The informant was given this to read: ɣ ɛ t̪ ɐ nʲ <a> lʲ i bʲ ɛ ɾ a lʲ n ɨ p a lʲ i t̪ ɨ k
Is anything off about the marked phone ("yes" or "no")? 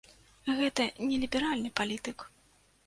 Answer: yes